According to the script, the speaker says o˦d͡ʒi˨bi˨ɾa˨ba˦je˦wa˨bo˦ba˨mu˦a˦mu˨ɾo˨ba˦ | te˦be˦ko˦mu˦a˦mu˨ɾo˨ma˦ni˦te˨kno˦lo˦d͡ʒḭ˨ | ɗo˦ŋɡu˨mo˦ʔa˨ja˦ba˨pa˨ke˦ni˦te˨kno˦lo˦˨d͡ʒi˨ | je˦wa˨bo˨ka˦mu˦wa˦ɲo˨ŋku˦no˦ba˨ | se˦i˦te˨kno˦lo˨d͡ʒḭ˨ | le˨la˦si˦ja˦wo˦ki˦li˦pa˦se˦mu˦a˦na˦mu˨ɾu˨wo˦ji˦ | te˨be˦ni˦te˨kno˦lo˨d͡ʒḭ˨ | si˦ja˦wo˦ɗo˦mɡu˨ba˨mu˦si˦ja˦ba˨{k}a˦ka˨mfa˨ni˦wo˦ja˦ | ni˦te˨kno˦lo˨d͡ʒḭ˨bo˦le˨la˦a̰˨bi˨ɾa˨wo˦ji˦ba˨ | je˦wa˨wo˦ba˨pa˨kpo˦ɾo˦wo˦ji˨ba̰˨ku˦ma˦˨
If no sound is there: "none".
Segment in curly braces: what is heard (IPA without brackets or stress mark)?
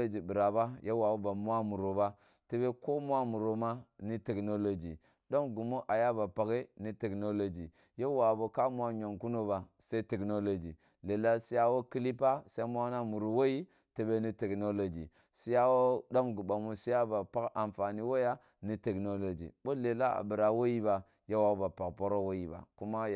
p